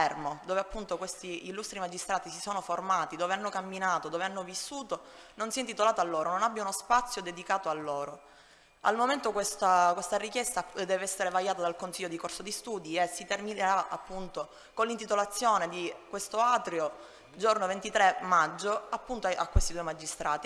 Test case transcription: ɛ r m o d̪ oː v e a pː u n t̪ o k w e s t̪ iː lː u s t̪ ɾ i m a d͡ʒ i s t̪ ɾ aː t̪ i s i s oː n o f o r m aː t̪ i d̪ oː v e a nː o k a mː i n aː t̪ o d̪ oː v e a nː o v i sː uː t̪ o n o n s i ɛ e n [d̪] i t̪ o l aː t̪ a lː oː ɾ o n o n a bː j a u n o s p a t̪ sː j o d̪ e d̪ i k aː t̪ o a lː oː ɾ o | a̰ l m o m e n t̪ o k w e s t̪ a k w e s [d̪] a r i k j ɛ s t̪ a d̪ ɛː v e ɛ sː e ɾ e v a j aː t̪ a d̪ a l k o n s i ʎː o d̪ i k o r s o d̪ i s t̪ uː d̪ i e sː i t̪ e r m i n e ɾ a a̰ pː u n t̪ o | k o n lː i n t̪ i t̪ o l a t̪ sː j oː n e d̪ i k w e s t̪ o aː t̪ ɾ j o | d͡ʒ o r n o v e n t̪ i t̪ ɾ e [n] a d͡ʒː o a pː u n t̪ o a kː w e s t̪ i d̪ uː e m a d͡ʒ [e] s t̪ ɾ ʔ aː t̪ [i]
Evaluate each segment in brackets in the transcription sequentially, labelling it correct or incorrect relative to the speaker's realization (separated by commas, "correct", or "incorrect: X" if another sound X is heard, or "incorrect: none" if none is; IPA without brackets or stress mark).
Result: incorrect: t̪, incorrect: t̪, incorrect: m, incorrect: i, correct